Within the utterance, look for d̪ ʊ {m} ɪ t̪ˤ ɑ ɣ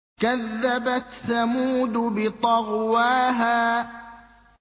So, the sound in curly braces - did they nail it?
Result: no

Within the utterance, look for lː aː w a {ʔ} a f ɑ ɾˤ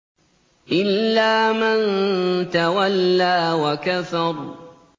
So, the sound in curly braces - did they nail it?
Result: no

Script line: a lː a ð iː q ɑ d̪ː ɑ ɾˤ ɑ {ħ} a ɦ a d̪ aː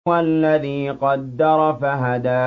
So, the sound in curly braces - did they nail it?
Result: no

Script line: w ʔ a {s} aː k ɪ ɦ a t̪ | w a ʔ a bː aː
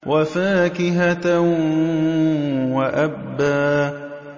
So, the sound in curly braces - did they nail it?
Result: no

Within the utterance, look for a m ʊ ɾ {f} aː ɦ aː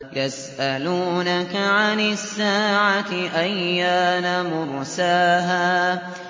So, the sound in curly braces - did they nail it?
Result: no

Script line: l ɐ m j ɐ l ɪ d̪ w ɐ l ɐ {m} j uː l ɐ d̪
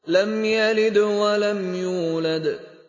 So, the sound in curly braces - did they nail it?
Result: yes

